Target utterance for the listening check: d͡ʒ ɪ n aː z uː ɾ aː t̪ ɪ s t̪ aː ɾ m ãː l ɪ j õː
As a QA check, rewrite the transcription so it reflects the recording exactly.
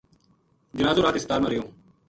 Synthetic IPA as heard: d͡ʒ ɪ n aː z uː ɾ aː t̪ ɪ s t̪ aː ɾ m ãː ɾ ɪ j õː